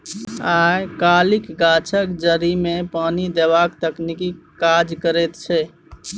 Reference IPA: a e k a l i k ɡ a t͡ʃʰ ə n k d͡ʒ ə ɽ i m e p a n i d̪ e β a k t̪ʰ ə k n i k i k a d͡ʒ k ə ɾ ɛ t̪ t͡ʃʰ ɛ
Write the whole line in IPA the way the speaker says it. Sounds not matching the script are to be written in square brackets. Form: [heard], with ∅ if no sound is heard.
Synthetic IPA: a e k a l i k ɡ a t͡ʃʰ ə [∅] k d͡ʒ ə [ɾ] i m e p a n i d̪ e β a k [t̪] ə k n i k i k a d͡ʒ k ə ɾ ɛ t̪ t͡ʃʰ ɛ